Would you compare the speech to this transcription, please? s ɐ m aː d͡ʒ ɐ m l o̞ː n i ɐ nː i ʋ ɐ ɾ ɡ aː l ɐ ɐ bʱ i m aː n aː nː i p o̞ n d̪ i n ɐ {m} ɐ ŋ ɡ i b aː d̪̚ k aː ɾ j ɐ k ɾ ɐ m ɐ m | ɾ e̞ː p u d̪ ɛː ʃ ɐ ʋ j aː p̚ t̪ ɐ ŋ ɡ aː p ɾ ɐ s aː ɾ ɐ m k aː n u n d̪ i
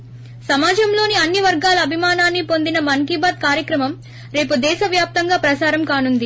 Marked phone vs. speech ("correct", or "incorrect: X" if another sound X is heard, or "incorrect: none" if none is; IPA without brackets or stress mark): correct